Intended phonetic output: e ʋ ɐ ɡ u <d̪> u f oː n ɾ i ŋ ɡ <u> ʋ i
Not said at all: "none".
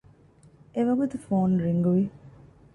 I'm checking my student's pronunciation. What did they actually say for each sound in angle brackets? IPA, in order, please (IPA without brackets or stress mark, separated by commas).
t̪, u